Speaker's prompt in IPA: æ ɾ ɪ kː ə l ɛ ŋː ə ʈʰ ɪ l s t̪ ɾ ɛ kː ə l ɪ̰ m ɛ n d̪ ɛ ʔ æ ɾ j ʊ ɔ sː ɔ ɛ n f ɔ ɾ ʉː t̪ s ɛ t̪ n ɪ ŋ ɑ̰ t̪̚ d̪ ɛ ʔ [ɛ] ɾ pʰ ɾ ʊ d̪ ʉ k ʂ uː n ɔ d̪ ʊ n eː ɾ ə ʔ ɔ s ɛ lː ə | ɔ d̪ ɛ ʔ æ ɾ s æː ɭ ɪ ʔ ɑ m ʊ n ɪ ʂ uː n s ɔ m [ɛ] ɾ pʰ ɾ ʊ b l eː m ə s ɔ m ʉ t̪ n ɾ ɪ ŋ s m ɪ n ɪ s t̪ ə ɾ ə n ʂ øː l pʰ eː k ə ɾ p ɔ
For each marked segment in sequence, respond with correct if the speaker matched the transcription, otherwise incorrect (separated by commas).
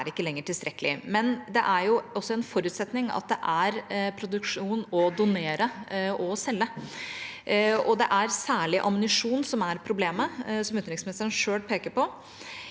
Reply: incorrect, incorrect